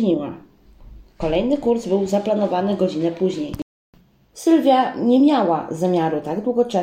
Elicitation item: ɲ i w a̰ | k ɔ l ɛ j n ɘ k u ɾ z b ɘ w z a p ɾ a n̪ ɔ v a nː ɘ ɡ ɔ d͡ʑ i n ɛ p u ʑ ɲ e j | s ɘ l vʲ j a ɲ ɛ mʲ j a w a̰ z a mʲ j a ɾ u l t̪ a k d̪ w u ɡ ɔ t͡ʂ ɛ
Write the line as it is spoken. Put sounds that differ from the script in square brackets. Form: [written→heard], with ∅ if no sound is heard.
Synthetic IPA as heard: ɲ i w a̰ | k ɔ l ɛ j n ɘ k u ɾ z b ɘ w z a p [ɾ→l] a n̪ ɔ v a [nː→n] ɘ ɡ ɔ d͡ʑ i n ɛ p u ʑ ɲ e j | s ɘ l vʲ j a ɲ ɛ mʲ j a w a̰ z a mʲ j a ɾ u [l→∅] t̪ a [k→ɡ] d̪ w u ɡ ɔ t͡ʂ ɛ